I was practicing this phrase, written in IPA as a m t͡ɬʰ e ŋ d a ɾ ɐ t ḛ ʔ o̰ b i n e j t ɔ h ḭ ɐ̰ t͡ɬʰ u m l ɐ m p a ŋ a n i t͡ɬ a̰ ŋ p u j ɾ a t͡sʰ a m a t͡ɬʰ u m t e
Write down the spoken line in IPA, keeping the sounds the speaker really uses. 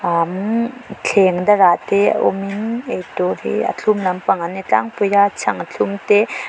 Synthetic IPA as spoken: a m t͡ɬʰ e ŋ d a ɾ a t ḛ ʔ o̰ m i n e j t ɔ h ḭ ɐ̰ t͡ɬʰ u m l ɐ m p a ŋ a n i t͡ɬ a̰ ŋ p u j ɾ a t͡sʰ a ŋ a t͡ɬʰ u m t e